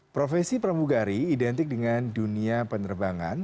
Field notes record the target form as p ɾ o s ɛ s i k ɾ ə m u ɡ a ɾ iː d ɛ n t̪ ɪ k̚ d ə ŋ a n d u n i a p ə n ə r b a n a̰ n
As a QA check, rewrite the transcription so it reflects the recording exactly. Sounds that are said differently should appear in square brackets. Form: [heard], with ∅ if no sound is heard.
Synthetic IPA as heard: p ɾ o [f] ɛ s i [p] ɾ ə m u ɡ a ɾ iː d ɛ n t̪ ɪ k̚ d ə ŋ a n d u n i a p ə n ə r b a [ŋ] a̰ n